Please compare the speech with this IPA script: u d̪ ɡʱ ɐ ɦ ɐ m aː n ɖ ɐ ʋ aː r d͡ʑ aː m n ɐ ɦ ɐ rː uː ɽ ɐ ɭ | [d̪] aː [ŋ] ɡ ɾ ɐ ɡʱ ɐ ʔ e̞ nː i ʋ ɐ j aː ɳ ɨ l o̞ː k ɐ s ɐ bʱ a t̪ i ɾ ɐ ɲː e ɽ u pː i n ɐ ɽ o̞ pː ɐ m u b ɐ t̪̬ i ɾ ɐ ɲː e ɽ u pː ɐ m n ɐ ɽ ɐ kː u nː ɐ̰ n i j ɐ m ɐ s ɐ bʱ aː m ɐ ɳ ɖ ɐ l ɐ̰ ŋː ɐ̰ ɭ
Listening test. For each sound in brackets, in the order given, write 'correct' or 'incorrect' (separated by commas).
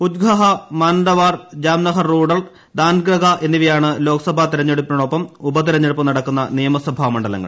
correct, incorrect